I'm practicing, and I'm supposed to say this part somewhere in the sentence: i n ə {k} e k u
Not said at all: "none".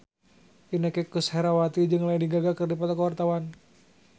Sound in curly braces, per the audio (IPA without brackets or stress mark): k